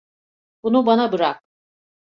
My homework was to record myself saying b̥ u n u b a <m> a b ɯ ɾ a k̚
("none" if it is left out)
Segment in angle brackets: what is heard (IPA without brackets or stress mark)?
n